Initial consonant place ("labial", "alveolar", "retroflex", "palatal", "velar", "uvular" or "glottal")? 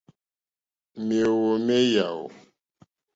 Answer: labial